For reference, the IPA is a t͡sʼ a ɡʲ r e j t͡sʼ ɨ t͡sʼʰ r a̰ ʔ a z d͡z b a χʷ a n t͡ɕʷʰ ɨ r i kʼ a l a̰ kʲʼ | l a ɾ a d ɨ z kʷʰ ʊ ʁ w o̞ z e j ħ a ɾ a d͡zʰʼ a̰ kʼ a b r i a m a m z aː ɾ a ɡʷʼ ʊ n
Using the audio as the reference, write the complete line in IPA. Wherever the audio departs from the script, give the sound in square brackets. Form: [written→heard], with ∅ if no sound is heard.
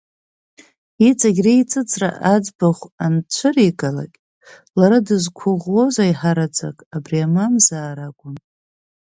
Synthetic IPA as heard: [a→i] t͡sʼ a ɡʲ r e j t͡sʼ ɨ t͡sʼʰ r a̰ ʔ a [z→∅] d͡z b a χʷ a n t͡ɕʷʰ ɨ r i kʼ a l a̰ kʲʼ | l a ɾ a d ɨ z kʷʰ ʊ ʁ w o̞ z [e→a] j ħ a ɾ a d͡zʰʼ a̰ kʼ a b r i a m a m z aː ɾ a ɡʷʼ ʊ n